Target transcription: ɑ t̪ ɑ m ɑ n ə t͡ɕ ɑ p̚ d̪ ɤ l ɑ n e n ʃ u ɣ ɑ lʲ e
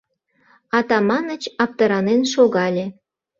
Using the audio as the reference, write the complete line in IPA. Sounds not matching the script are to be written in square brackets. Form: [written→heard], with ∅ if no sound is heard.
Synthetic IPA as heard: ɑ t̪ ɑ m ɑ n ə t͡ɕ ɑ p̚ [d̪→t̪] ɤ [l→ɾ] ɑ n e n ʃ [u→o] ɣ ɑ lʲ e